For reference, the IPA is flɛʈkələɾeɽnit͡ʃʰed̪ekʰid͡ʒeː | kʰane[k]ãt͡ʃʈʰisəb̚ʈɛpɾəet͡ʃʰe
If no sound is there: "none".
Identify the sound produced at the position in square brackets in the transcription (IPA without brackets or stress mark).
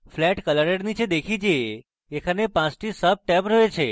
p